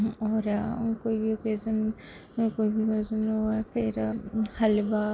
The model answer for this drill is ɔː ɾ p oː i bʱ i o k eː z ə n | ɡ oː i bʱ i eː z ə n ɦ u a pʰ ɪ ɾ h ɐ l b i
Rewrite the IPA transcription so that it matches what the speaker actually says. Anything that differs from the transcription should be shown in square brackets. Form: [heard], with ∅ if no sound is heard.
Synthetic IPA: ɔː ɾ [k] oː i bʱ i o k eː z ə n | [k] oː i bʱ i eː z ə n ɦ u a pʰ ɪ ɾ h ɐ l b [a]